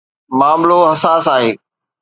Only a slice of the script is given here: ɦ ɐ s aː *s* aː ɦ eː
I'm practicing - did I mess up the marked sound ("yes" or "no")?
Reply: no